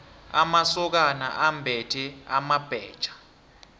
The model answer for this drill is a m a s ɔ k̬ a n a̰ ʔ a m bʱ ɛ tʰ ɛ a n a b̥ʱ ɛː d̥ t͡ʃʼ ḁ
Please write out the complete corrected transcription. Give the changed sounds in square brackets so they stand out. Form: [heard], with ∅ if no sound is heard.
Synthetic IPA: a m a s ɔ k̬ a n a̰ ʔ a m bʱ ɛ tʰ ɛ a [m] a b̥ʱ ɛː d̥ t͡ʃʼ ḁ